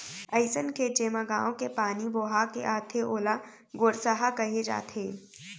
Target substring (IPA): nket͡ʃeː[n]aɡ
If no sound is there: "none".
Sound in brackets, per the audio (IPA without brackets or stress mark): m